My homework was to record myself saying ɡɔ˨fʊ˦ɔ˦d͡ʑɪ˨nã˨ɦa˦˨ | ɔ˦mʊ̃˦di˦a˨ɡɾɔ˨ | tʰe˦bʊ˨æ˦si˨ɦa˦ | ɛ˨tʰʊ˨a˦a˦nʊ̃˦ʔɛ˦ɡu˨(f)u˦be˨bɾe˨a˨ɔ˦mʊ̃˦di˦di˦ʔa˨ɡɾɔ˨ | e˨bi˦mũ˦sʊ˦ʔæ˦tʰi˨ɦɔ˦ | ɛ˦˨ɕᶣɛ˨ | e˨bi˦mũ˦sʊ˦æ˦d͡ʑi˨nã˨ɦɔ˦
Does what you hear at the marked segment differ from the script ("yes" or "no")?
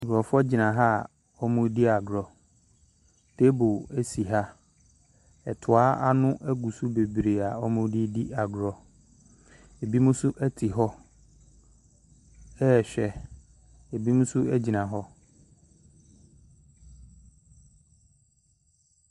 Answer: yes